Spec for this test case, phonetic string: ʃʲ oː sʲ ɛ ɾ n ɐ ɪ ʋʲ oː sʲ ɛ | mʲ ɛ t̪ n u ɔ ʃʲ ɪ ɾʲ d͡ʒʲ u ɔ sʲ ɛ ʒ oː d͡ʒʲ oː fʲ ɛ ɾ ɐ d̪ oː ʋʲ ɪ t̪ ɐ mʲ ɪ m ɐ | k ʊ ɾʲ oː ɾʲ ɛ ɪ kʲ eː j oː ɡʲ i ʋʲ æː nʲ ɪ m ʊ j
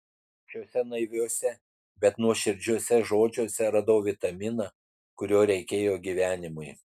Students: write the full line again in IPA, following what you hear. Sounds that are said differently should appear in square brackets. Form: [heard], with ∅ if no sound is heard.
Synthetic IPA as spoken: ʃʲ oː sʲ ɛ [∅] n ɐ ɪ ʋʲ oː sʲ ɛ | [bʲ] ɛ t̪ n u ɔ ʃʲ ɪ ɾʲ d͡ʒʲ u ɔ sʲ ɛ ʒ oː d͡ʒʲ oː [sʲ] ɛ ɾ ɐ d̪ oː ʋʲ ɪ t̪ ɐ mʲ ɪ [n] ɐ | k ʊ ɾʲ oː ɾʲ ɛ ɪ kʲ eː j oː ɡʲ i ʋʲ æː nʲ ɪ m ʊ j

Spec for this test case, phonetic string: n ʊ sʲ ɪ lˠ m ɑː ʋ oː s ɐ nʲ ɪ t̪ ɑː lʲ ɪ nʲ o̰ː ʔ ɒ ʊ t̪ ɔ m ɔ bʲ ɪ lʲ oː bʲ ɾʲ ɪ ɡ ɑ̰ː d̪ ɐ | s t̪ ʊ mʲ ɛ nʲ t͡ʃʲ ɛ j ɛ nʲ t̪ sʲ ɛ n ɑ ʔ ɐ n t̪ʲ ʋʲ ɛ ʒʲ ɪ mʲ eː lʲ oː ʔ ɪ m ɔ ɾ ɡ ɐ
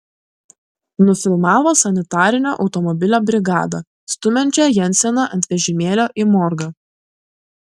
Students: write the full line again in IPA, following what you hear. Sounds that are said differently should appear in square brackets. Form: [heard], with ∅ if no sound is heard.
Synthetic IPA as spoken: n ʊ [fʲ] ɪ lˠ m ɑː ʋ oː s ɐ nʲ ɪ t̪ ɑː [ɾʲ] ɪ nʲ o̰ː ʔ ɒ ʊ t̪ ɔ m ɔ bʲ ɪ lʲ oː bʲ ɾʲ ɪ ɡ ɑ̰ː d̪ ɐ | s t̪ ʊ mʲ ɛ nʲ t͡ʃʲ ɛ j ɛ nʲ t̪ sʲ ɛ n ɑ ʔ ɐ n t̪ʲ ʋʲ ɛ ʒʲ ɪ mʲ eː lʲ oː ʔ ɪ m ɔ ɾ ɡ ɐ

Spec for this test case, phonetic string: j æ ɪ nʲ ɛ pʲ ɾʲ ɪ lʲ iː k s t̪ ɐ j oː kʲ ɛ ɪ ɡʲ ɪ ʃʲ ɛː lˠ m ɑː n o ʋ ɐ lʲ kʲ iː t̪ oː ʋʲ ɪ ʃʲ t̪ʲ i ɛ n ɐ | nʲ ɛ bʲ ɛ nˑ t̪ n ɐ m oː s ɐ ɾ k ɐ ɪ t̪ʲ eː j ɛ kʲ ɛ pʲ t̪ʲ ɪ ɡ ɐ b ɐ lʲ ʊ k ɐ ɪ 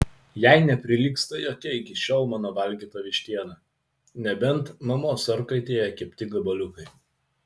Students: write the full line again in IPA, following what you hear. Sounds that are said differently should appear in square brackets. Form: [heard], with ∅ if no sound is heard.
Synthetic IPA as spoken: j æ ɪ nʲ ɛ pʲ ɾʲ ɪ lʲ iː k s t̪ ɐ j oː kʲ ɛ ɪ [kʲ] ɪ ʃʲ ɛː lˠ m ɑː n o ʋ ɐ lʲ [ɡʲ] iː t̪ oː ʋʲ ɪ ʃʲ t̪ʲ i ɛ n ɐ | nʲ ɛ bʲ ɛ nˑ t̪ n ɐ m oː s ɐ ɾ k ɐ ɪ t̪ʲ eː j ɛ kʲ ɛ pʲ t̪ʲ ɪ ɡ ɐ b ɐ lʲ ʊ k ɐ ɪ

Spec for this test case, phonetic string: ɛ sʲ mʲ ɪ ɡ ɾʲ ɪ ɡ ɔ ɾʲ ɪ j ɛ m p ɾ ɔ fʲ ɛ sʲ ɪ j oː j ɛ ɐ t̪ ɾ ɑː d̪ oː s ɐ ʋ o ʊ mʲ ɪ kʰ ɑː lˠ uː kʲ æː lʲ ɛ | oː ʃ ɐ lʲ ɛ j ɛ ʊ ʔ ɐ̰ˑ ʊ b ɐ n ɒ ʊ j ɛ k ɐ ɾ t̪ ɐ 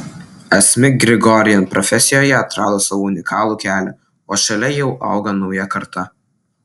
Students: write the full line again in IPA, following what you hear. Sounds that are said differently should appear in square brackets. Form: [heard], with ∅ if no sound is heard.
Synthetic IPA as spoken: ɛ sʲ mʲ ɪ ɡ ɾʲ ɪ ɡ ɔ ɾʲ ɪ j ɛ [n] p ɾ ɔ fʲ ɛ sʲ ɪ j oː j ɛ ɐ t̪ ɾ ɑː d̪ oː s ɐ ʋ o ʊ [nʲ] ɪ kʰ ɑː lˠ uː kʲ æː lʲ ɛ | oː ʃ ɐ lʲ ɛ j ɛ ʊ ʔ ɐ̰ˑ ʊ [ɡ] ɐ n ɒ ʊ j ɛ k ɐ ɾ t̪ ɐ

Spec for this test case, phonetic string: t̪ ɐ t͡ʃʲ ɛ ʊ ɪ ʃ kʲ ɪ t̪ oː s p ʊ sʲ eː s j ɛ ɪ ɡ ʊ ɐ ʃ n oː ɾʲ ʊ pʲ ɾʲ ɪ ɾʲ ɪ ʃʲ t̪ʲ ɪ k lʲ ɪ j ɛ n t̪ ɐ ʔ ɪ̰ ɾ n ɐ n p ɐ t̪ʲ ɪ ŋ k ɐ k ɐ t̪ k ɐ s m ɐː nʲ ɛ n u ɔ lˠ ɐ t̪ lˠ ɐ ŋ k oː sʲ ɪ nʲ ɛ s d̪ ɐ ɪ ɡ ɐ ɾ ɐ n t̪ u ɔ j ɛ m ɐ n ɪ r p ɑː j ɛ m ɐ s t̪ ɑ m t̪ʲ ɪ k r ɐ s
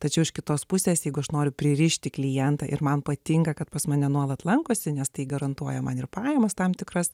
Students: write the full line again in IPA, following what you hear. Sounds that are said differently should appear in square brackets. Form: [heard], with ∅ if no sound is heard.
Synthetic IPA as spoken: t̪ ɐ t͡ʃʲ ɛ ʊ ɪ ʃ kʲ ɪ t̪ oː s p ʊ sʲ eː s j ɛ ɪ ɡ ʊ ɐ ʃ n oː ɾʲ ʊ pʲ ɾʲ ɪ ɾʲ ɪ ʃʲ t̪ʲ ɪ k lʲ ɪ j ɛ n t̪ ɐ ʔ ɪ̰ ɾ [m] ɐ n p ɐ t̪ʲ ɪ ŋ k ɐ k ɐ t̪ [p] ɐ s m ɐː nʲ ɛ n u ɔ lˠ ɐ t̪ lˠ ɐ ŋ k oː sʲ ɪ nʲ ɛ s [t̪] ɐ ɪ ɡ ɐ ɾ ɐ n t̪ u ɔ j ɛ m ɐ n ɪ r p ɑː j ɛ m ɐ s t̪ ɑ m t̪ʲ ɪ k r ɐ s

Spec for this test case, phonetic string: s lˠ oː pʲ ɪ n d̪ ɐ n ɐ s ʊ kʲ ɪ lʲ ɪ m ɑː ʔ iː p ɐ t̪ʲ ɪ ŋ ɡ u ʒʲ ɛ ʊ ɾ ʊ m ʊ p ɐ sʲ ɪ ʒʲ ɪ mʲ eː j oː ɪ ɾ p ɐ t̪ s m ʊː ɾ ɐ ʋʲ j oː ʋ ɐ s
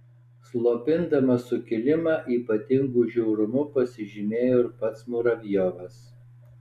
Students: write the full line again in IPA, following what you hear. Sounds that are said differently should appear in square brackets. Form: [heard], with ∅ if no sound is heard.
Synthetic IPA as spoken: s lˠ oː pʲ ɪ n d̪ ɐ [m] ɐ s ʊ kʲ ɪ lʲ ɪ m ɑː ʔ iː p ɐ t̪ʲ ɪ ŋ ɡ u ʒʲ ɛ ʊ ɾ ʊ m ʊ p ɐ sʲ ɪ ʒʲ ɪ mʲ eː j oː ɪ ɾ p ɐ t̪ s m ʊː ɾ ɐ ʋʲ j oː ʋ ɐ s

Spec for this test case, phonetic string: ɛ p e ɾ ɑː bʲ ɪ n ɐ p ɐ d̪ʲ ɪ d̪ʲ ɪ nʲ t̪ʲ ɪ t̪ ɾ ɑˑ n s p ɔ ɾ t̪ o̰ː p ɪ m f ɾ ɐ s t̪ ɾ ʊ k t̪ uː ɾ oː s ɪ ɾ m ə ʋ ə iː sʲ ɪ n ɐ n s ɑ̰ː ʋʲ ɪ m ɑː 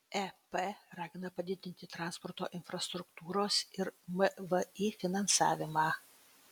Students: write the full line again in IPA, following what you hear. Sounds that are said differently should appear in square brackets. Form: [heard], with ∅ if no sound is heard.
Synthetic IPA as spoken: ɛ p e ɾ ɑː [ɡʲ] ɪ n ɐ p ɐ d̪ʲ ɪ d̪ʲ ɪ nʲ t̪ʲ ɪ t̪ ɾ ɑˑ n s p ɔ ɾ t̪ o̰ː [ʔ] ɪ [n] f ɾ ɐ s t̪ ɾ ʊ k t̪ uː ɾ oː s ɪ ɾ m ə ʋ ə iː [fʲ] ɪ n ɐ n s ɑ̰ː ʋʲ ɪ m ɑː

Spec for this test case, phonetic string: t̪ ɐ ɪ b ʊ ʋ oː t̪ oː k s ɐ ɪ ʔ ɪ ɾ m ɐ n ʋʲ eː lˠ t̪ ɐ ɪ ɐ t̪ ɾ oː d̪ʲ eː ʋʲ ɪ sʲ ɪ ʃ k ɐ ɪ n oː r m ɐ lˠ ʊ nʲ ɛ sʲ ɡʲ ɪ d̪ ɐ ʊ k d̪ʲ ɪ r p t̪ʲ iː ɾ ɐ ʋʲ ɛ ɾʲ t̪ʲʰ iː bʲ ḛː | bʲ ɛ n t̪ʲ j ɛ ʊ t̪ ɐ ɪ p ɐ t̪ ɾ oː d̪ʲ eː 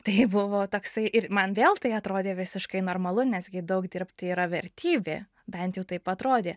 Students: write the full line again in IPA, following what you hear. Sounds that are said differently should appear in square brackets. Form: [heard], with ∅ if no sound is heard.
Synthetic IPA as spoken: t̪ ɐ ɪ b ʊ ʋ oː t̪ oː k s ɐ ɪ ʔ ɪ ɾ m ɐ n ʋʲ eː lˠ t̪ ɐ ɪ ɐ t̪ ɾ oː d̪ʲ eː ʋʲ ɪ sʲ ɪ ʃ k ɐ ɪ n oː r m ɐ lˠ ʊ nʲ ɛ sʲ ɡʲ ɪ d̪ ɐ ʊ k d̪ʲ ɪ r p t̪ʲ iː ɾ ɐ ʋʲ ɛ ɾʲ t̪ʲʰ iː bʲ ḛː | bʲ ɛ n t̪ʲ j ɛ ʊ t̪ ɐ ɪ p ɐ t̪ ɾ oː d̪ʲ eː

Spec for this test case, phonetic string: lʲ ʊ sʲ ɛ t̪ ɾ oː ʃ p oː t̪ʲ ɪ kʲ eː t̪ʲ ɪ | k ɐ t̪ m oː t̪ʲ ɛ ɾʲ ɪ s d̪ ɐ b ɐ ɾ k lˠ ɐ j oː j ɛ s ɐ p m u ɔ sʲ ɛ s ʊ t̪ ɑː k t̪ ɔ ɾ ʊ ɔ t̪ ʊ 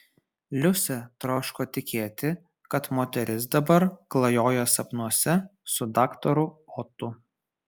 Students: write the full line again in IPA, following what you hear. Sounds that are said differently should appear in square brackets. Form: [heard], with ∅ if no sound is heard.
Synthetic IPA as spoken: lʲ ʊ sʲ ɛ t̪ ɾ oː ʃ [k] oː t̪ʲ ɪ kʲ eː t̪ʲ ɪ | k ɐ t̪ m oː t̪ʲ ɛ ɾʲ ɪ s d̪ ɐ b ɐ ɾ k lˠ ɐ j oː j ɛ s ɐ p [n] u ɔ sʲ ɛ s ʊ [d̪] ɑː k t̪ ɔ ɾ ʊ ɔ t̪ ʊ

